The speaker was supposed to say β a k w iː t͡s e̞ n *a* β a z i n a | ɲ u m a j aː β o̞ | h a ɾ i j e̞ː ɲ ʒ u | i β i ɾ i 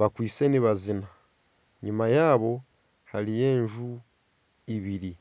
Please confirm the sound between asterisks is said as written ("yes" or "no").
no